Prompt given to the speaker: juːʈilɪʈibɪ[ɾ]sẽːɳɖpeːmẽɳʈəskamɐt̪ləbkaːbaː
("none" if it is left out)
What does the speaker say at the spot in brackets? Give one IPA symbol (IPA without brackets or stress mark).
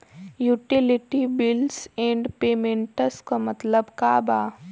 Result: l